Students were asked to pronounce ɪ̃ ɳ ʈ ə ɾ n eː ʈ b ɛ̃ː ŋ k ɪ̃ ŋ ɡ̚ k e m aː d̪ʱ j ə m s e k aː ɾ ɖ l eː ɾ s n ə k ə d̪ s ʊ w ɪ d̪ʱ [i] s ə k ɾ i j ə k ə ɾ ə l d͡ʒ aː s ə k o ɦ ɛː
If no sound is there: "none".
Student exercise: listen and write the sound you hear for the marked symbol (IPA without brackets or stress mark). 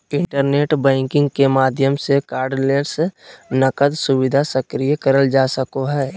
a